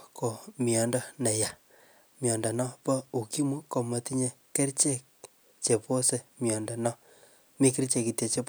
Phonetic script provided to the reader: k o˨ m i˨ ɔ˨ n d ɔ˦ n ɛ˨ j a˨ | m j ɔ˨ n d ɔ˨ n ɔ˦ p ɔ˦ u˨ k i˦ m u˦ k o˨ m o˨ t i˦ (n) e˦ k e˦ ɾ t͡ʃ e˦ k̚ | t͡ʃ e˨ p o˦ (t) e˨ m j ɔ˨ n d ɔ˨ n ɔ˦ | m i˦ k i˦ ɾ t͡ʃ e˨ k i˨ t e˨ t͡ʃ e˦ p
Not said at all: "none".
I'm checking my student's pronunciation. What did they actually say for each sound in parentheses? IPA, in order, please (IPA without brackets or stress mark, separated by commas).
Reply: ɲ, s